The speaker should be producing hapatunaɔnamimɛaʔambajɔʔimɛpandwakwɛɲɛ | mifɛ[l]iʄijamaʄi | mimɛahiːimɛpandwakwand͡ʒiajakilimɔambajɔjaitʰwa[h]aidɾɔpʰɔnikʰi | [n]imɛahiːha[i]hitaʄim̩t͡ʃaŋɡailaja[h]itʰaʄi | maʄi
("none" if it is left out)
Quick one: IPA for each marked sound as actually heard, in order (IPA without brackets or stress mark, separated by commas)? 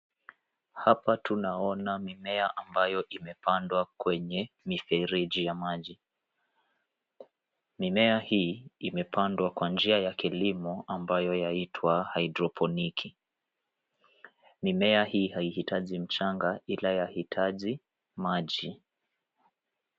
ɾ, h, m, i, h